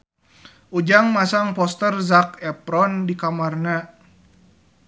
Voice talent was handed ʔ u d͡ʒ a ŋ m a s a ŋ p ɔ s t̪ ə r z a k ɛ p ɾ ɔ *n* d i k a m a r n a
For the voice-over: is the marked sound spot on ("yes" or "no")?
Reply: yes